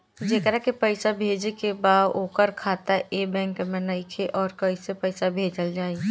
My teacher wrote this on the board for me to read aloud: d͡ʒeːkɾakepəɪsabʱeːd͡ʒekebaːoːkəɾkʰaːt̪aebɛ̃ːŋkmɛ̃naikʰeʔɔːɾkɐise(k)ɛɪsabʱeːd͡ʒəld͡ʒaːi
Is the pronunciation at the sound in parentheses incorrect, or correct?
incorrect